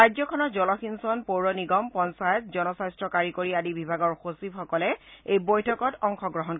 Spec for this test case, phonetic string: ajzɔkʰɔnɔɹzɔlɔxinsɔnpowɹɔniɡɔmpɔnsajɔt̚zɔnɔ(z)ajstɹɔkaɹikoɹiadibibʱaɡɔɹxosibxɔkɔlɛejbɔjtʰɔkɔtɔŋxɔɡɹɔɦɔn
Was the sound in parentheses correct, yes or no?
no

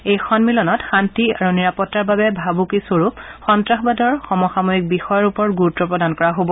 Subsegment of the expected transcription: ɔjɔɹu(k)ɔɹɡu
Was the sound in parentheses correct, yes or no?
no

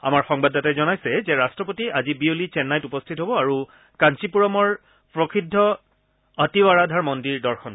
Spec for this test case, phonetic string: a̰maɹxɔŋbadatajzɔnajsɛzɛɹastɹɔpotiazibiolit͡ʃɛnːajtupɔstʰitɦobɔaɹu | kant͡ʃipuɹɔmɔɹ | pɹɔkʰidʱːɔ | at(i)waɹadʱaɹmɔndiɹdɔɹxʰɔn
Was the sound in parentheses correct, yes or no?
yes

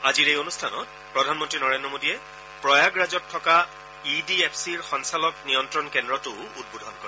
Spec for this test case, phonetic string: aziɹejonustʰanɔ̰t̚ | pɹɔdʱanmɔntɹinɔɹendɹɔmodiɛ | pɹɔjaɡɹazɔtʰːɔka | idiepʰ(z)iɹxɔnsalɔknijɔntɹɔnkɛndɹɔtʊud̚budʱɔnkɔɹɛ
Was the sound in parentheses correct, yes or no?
no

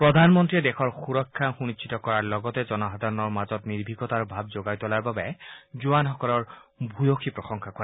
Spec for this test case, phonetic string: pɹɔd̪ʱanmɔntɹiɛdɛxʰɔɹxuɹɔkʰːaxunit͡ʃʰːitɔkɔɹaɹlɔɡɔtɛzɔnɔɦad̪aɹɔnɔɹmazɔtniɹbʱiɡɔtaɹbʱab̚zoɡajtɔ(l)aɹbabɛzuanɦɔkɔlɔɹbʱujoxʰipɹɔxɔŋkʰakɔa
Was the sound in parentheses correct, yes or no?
yes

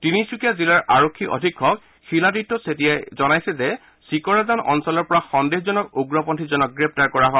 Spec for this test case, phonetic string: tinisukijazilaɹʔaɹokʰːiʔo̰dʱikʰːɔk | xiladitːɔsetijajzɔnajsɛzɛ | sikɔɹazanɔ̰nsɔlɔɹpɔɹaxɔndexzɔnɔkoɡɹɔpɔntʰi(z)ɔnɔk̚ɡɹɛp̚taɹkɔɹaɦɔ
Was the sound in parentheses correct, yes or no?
yes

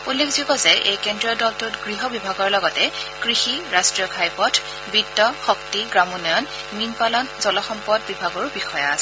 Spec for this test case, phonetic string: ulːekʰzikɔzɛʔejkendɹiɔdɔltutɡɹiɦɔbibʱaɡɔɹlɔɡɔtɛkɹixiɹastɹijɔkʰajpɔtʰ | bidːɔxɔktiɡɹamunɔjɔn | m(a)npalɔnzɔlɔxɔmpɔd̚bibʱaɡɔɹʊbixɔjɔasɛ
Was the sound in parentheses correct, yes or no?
no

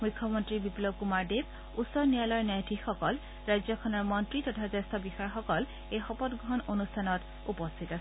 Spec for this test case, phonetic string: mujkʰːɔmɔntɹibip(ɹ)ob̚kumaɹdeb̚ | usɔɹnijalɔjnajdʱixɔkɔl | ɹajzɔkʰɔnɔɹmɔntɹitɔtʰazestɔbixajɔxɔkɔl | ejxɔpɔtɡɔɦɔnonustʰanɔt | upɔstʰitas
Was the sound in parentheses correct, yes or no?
no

